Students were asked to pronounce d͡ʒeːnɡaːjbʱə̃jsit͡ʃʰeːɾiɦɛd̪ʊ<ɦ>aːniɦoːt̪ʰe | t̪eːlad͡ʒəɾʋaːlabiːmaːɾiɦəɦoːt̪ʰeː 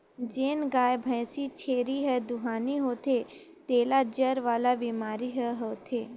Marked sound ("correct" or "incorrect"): correct